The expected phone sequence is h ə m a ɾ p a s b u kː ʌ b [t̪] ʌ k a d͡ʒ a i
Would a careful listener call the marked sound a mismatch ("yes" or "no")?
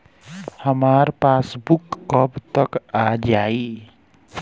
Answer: no